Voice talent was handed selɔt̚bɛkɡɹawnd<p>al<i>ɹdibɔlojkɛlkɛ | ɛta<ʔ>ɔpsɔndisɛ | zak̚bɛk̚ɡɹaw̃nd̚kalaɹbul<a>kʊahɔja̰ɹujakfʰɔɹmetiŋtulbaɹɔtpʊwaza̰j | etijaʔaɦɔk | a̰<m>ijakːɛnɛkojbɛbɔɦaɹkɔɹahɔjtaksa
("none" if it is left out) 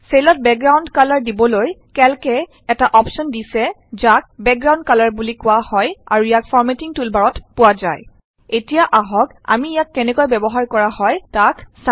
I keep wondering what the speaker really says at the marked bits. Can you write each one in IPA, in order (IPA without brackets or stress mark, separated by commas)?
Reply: k, a, ʔ, i, m